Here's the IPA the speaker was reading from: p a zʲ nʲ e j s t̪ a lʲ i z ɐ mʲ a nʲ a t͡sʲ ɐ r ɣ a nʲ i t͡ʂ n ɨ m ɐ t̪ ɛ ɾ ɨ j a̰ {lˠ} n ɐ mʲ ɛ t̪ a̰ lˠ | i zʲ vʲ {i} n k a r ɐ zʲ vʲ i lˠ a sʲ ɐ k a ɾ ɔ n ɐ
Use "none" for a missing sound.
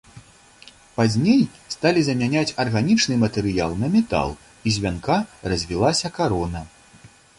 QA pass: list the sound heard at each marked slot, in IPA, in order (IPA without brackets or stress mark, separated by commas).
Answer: lˠ, a